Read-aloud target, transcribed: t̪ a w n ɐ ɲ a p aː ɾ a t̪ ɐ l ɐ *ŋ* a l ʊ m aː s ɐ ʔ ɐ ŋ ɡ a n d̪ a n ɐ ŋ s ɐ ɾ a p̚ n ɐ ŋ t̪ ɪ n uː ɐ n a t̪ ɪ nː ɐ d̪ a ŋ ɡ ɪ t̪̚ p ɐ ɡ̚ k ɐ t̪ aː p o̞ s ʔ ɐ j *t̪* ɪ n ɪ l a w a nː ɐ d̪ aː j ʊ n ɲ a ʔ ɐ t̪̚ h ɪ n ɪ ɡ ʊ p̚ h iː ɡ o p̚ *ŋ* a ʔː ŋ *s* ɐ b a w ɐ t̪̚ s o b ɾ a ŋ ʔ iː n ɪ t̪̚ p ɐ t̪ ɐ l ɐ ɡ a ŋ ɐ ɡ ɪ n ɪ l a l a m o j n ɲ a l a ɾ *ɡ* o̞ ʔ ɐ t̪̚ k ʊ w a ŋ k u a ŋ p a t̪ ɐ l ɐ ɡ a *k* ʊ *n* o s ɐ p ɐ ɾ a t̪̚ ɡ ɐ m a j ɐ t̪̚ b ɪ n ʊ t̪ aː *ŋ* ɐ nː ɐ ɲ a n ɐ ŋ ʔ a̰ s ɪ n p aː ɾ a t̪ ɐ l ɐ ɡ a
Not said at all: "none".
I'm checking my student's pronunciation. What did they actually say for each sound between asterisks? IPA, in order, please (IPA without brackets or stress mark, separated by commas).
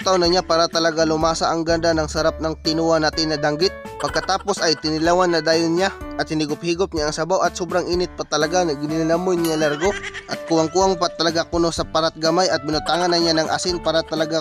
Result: ɡ, t̪, ɲ, s, ɡ, k, n, ŋ